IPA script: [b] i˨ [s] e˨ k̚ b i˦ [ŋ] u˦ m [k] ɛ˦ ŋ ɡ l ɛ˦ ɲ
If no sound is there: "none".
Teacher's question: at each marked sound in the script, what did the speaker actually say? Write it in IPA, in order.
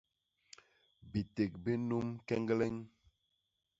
b, t, n, k

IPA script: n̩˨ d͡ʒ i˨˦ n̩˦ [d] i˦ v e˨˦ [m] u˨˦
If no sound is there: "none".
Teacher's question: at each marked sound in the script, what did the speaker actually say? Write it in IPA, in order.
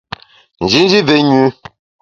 d͡ʒ, ɲ

